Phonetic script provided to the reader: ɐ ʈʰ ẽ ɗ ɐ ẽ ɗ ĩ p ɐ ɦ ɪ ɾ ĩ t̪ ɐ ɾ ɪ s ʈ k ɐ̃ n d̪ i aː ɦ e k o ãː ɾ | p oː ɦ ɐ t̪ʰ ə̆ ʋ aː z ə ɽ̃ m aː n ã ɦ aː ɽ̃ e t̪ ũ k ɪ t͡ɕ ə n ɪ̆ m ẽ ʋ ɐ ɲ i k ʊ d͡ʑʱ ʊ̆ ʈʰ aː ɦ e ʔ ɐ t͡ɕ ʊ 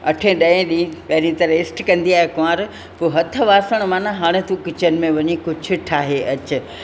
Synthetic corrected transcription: ɐ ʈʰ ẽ ɗ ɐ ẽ ɗ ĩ p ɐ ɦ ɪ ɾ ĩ t̪ ɐ ɾ ɪ s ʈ k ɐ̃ n d̪ i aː ɦ e k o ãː ɾ | p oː ɦ ɐ t̪ʰ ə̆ ʋ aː s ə ɽ̃ m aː n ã ɦ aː ɽ̃ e t̪ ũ k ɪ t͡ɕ ə n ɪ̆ m ẽ ʋ ɐ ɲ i k ʊ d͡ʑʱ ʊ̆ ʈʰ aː ɦ e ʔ ɐ t͡ɕ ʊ